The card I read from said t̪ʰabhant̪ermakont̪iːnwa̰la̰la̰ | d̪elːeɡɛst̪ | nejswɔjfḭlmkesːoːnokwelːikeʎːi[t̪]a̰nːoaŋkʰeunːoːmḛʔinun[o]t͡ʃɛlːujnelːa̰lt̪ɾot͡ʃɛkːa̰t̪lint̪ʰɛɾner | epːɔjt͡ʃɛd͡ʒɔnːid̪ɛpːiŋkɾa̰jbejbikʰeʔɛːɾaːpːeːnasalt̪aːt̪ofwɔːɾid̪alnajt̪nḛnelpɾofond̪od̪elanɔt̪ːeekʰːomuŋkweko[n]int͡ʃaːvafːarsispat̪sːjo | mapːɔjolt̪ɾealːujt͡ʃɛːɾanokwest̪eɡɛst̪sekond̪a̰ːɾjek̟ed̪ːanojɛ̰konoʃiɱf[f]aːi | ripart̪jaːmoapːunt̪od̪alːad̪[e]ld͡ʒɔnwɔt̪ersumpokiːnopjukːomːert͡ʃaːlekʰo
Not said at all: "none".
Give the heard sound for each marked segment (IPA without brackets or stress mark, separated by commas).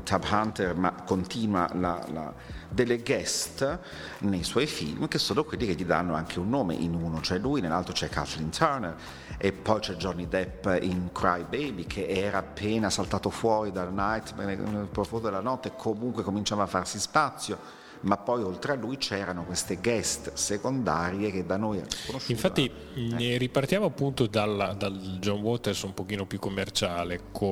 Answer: d̪, o, m, f, a